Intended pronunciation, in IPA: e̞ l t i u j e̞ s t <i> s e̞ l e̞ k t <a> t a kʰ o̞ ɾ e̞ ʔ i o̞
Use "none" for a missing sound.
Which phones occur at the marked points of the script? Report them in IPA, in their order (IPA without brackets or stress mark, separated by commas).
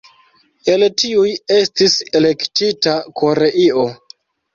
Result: i, i